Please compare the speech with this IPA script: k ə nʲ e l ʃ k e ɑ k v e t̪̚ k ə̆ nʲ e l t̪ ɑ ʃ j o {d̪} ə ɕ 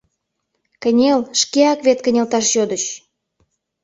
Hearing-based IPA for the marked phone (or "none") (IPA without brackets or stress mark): d̪